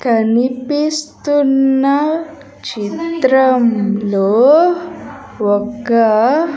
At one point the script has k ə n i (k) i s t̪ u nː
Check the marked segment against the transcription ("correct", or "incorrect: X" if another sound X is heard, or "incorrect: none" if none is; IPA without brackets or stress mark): incorrect: p